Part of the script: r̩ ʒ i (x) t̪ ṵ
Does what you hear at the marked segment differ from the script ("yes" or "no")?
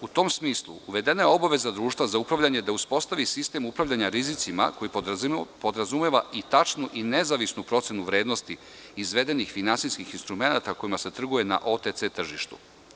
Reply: yes